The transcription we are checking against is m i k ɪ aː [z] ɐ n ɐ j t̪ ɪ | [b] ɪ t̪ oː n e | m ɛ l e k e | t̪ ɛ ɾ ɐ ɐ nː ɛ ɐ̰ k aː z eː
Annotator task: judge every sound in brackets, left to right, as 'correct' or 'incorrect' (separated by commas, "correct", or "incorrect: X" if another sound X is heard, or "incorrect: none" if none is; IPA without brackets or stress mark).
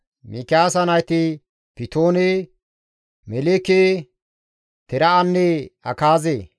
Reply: incorrect: s, incorrect: p